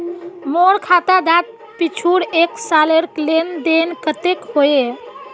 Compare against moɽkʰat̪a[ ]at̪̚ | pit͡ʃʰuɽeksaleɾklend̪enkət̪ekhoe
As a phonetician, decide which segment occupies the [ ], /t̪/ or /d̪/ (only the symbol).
d̪